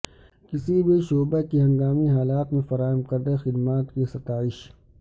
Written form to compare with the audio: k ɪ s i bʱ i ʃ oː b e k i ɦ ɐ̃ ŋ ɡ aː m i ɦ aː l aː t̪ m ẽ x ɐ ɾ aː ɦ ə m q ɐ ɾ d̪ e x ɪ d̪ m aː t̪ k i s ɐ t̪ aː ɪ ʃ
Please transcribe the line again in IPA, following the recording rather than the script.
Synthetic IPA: k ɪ s i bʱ i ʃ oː b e k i ɦ ɐ̃ ŋ ɡ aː m i ɦ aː l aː t̪ m ẽ f ɐ ɾ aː ɦ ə m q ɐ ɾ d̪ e x ɪ d̪ m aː t̪ k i s ɐ t̪ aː ɪ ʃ